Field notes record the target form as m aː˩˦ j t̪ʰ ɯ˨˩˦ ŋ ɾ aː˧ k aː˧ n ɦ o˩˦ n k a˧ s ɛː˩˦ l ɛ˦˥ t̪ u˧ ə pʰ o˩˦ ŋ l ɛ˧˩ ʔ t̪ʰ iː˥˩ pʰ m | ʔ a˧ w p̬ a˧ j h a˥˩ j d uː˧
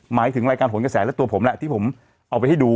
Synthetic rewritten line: m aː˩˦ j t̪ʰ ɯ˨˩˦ ŋ ɾ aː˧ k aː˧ n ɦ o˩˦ n k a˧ s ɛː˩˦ l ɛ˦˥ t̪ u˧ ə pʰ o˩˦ m l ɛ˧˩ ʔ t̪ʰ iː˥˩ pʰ m | ʔ a˧ w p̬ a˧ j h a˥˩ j d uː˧

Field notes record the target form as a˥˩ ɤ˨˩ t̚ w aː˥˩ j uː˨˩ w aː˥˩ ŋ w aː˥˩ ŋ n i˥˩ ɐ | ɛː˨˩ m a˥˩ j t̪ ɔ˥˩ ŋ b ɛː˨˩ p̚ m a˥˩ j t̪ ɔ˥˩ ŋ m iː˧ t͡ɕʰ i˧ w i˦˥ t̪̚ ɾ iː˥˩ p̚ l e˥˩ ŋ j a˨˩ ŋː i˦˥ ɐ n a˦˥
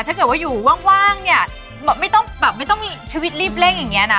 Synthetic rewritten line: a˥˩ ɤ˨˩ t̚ w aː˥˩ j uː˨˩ w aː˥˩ ŋ w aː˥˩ ŋ n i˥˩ ɐ | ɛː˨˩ m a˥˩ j t̪ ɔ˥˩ ŋ b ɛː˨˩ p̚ m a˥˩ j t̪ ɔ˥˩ ŋ m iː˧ t͡ɕʰ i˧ w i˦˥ t̪̚ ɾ iː˥˩ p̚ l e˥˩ ŋ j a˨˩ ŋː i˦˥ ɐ n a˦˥

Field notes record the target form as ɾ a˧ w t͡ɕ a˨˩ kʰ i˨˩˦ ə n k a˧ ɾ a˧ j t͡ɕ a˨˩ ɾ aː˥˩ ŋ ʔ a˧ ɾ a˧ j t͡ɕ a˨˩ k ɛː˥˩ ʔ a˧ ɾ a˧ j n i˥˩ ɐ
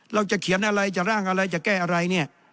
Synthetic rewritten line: ɾ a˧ w t͡ɕ a˨˩ kʰ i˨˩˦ ə n ʔ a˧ ɾ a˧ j t͡ɕ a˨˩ ɾ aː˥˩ ŋ ʔ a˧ ɾ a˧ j t͡ɕ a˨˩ k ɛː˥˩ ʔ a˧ ɾ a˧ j n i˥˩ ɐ

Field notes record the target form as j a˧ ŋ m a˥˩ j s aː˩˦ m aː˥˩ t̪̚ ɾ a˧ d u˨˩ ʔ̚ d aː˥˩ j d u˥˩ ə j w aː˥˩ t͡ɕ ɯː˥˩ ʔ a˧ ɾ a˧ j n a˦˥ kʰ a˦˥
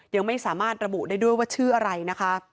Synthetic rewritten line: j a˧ ŋ m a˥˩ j s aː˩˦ m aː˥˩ t̪̚ ɾ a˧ b u˨˩ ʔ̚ d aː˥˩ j d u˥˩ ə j w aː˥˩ t͡ɕʰ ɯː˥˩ ʔ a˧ ɾ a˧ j n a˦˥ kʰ a˦˥

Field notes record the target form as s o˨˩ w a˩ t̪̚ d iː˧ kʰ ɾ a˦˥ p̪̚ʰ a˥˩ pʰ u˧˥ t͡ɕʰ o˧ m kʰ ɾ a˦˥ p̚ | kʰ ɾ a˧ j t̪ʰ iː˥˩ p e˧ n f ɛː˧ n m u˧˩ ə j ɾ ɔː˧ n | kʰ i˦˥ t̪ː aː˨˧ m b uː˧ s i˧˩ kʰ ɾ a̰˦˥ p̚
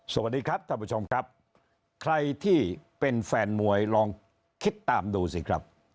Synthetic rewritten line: s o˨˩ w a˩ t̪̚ d iː˧ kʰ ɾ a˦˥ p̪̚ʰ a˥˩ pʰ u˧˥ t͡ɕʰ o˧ m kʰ ɾ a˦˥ p̚ | kʰ ɾ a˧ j t̪ʰ iː˥˩ p e˧ n f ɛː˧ n m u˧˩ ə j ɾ ɔː˧ ŋ | kʰ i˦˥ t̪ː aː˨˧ m d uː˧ s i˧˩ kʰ ɾ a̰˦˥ p̚

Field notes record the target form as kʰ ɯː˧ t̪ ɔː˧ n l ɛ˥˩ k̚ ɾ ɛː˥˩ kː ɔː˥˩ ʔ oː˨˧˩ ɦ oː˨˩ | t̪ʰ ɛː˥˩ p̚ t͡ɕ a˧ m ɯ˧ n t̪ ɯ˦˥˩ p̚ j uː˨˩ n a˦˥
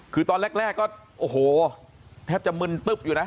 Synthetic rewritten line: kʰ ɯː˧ t̪ ɔː˧ n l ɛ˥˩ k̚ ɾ ɛː˥˩ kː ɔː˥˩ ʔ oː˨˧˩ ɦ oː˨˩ | t̪ʰ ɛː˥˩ p̚ t͡ɕ a˨˩ m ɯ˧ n t̪ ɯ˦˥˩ p̚ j uː˨˩ n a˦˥

